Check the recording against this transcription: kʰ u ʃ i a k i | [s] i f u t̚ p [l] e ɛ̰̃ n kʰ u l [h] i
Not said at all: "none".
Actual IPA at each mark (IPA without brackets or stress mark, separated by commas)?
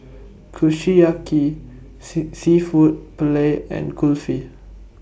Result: s, l, f